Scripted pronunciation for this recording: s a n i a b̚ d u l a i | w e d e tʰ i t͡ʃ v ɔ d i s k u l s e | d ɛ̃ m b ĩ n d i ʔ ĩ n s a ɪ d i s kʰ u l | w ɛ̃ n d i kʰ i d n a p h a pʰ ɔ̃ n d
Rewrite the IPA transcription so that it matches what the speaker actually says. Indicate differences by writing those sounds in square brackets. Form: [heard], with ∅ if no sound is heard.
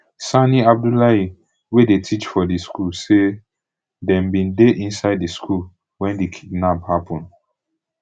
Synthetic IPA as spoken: s a n i a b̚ d u l a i | w e d e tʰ i t͡ʃ [f] ɔ d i s k u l s e | d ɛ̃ m b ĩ n d [e] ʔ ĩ n s a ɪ d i s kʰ u l | w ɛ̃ n d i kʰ i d n a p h a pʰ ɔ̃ n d